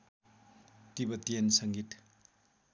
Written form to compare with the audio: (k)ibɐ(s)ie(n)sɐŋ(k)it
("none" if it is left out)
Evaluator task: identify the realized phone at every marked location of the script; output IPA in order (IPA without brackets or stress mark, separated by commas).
t, t, n, ɡ